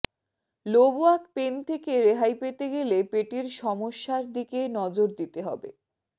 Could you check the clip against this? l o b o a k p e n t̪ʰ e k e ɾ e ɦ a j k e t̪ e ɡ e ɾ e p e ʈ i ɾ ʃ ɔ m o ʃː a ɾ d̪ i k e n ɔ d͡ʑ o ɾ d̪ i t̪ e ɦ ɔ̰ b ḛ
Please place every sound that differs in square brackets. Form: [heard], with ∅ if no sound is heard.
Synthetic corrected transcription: l o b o a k p e n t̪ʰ e k e ɾ e ɦ a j [p] e t̪ e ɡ e [l] e p e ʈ i ɾ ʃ ɔ m o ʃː a ɾ d̪ i k e n ɔ d͡ʑ o ɾ d̪ i t̪ e ɦ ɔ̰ b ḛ